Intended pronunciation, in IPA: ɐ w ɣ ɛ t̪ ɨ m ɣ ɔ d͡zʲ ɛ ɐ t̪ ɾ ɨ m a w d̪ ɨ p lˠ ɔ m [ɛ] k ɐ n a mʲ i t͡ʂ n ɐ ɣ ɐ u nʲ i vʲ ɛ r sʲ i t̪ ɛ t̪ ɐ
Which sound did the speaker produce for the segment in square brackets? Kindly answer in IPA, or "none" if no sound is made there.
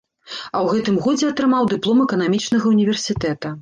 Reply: ɛ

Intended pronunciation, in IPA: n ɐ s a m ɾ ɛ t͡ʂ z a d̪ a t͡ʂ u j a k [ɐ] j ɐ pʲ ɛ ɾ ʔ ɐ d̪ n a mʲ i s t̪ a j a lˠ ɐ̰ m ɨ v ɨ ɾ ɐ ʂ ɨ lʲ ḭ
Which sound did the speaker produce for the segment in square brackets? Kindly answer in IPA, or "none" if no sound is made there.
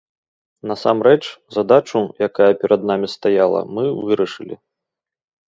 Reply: a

